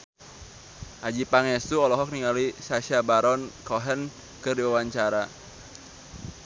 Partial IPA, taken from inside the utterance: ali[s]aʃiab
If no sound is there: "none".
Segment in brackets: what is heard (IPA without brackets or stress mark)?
s